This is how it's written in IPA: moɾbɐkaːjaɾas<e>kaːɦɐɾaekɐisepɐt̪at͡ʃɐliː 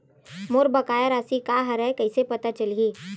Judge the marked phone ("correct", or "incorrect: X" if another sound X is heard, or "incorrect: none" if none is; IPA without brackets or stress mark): incorrect: i